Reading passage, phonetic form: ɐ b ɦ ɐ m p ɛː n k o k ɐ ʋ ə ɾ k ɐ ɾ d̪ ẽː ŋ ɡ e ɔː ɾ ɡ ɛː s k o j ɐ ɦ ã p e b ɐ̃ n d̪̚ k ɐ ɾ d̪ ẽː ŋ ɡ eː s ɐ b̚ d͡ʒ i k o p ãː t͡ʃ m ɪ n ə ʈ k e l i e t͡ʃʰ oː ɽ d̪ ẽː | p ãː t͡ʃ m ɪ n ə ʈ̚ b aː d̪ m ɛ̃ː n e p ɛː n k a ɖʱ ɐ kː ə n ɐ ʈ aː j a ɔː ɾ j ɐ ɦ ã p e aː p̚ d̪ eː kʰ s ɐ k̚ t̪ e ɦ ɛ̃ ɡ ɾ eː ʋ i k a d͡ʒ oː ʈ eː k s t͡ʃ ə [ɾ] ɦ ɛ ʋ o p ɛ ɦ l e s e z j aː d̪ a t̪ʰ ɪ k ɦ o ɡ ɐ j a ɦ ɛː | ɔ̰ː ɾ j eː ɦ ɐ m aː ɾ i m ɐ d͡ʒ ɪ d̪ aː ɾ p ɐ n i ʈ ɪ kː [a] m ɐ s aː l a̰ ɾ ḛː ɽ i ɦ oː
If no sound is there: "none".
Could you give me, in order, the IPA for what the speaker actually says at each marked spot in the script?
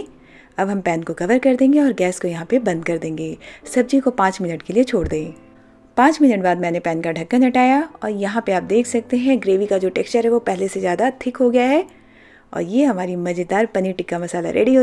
ɾ, a

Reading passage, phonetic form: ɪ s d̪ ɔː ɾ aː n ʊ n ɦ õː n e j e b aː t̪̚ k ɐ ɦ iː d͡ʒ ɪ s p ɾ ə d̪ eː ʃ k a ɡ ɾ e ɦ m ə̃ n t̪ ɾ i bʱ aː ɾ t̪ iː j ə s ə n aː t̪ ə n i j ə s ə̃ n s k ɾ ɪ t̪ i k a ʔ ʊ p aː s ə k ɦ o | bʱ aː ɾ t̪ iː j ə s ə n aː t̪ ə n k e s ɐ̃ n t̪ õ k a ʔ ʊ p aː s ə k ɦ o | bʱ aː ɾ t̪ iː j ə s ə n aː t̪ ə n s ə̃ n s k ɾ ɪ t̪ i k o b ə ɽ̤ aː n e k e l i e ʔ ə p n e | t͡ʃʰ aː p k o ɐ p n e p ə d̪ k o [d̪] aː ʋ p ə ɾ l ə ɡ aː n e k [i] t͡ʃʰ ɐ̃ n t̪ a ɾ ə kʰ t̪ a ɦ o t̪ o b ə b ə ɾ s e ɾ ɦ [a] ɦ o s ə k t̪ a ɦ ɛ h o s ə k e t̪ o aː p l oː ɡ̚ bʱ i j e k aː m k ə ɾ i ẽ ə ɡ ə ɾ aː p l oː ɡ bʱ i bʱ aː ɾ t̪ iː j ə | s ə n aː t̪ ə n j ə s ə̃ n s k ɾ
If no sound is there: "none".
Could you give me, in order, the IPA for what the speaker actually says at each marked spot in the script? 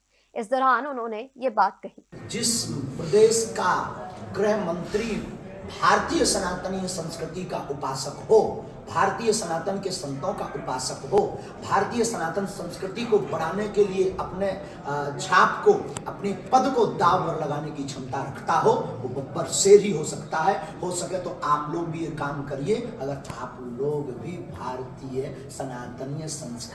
d̪, i, i

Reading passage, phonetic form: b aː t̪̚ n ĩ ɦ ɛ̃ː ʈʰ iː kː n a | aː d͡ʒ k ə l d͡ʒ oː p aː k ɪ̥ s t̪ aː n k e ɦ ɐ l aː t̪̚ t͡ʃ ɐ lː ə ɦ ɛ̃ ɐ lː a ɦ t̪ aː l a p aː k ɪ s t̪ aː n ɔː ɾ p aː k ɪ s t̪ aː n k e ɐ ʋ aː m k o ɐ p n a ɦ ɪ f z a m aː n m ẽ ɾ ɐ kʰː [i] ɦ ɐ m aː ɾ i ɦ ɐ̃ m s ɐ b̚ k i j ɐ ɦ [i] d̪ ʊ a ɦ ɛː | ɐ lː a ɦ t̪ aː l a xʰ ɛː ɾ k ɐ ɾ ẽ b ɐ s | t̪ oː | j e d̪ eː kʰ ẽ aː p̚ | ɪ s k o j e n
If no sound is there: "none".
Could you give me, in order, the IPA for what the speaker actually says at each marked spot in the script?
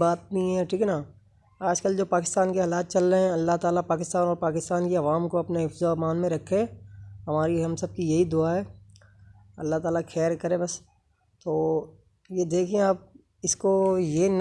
e, i

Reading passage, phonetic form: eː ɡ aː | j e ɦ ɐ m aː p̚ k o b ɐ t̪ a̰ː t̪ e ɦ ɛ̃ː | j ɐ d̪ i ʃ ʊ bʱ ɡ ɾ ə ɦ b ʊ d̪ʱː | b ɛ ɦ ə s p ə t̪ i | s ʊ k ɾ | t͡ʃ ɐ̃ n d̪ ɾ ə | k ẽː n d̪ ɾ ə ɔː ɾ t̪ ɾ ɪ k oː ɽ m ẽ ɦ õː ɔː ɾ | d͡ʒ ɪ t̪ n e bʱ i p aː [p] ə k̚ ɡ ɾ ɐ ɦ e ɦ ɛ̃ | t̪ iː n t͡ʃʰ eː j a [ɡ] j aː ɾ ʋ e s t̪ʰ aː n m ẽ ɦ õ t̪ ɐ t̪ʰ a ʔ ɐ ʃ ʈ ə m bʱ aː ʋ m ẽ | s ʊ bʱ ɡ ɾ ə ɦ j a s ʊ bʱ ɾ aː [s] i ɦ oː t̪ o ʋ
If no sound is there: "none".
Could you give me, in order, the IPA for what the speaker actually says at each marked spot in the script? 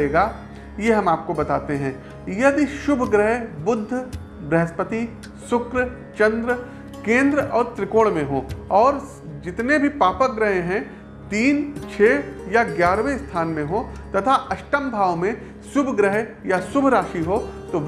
p, ɡ, ʃ

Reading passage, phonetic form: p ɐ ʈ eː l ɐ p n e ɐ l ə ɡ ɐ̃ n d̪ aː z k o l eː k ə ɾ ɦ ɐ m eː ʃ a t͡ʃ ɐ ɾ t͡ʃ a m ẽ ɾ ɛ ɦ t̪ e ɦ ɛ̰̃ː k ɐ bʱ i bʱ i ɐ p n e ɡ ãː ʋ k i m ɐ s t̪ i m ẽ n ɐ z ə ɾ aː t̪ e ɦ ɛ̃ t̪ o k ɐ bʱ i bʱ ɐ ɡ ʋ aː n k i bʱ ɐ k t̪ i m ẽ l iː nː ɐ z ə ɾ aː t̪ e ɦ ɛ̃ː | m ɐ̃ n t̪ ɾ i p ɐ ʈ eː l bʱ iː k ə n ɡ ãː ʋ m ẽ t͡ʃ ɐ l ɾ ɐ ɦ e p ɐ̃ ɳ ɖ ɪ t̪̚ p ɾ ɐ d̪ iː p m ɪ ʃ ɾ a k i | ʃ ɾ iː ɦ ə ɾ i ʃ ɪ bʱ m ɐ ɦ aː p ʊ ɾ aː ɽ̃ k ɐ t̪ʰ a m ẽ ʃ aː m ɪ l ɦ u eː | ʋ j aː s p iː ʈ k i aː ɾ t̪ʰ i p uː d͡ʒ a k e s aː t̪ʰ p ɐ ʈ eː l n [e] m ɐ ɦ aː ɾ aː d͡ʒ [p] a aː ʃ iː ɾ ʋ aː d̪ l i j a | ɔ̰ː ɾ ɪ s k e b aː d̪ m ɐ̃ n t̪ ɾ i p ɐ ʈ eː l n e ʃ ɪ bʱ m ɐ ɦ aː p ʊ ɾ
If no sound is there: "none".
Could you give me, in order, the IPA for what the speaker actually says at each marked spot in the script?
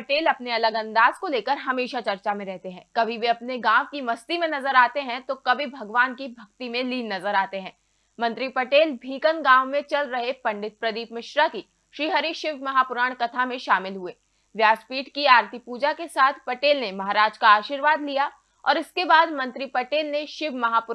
e, k

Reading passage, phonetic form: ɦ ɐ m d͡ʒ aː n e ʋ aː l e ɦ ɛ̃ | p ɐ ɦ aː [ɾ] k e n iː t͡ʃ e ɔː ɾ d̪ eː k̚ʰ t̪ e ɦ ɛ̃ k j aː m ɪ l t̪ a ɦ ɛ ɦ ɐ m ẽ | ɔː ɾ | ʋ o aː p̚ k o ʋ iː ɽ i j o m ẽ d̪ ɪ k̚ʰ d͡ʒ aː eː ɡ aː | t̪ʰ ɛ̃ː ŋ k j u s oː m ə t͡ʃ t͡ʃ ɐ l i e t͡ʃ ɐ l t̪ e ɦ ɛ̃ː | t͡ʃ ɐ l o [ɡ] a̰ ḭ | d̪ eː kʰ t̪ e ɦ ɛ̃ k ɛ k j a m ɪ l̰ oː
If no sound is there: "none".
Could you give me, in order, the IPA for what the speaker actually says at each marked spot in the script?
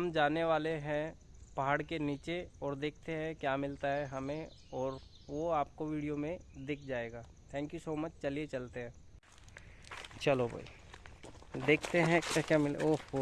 ɽ, b

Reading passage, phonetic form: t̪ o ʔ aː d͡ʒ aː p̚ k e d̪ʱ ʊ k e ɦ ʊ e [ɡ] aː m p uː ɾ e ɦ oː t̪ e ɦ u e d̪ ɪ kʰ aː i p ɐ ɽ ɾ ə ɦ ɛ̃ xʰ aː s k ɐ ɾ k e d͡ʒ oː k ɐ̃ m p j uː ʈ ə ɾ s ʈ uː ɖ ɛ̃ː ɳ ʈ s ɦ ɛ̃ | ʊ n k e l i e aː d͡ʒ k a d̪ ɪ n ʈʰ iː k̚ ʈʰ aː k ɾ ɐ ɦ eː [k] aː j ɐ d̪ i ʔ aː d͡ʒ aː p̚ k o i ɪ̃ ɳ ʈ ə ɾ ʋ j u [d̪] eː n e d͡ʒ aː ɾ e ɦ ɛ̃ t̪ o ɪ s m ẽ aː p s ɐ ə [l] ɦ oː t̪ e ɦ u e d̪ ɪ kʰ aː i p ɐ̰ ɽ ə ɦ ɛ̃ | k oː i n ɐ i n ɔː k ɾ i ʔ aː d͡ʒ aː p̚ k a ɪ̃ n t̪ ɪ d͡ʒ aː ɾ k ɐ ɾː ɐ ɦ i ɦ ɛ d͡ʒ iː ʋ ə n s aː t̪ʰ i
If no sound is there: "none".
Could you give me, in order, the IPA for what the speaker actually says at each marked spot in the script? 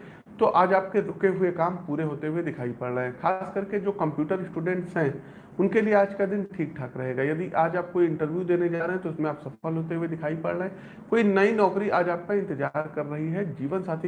k, ɡ, d̪, l

